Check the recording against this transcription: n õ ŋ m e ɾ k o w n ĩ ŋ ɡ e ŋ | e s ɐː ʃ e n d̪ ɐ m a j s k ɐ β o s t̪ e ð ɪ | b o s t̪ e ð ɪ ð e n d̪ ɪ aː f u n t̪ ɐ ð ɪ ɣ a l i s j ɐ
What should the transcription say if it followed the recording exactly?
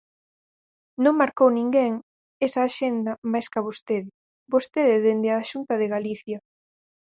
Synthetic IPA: n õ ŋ m a ɾ k o w n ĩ ŋ ɡ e ŋ | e s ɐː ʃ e n d̪ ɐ m a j s k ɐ β o s t̪ e ð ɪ | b o s t̪ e ð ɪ ð e n d̪ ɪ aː ʃ u n t̪ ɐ ð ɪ ɣ a l i θ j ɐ